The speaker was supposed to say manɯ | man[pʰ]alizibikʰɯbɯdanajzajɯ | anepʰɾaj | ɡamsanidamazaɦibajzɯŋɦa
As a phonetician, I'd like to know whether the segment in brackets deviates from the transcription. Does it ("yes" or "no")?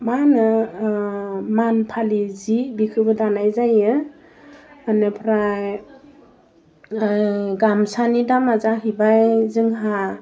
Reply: no